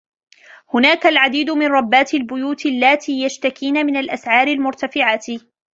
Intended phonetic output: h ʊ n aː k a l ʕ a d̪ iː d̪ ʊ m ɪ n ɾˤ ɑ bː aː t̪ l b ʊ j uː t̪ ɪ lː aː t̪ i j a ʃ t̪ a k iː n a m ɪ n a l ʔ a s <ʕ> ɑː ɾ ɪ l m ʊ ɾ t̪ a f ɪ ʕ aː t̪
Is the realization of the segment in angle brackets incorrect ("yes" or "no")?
no